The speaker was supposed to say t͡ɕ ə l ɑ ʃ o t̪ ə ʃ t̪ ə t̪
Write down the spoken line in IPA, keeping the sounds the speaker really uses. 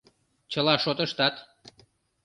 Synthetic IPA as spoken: t͡ɕ ə l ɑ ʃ o t̪ ə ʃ t̪ ɑ t̪